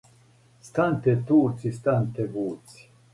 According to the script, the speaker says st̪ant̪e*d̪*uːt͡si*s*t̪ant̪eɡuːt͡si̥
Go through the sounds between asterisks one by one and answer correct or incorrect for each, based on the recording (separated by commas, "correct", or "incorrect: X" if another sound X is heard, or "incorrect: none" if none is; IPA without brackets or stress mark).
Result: incorrect: t̪, correct